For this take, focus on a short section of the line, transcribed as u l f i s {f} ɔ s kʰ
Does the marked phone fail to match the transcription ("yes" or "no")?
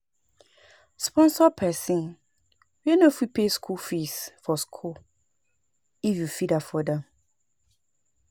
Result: no